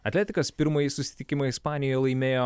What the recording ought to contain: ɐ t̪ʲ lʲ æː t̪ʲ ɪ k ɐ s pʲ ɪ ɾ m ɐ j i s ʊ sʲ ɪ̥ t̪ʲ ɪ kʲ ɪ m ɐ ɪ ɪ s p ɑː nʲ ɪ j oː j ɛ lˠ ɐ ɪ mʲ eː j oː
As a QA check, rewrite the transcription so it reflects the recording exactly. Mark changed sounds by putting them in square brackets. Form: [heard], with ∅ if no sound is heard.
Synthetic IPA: ɐ t̪ʲ lʲ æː t̪ʲ ɪ k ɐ s pʲ ɪ ɾ m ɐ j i s ʊ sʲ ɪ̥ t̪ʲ ɪ kʲ ɪ m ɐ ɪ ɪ s p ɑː nʲ ɪ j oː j ɛ lˠ ɐ ɪ mʲ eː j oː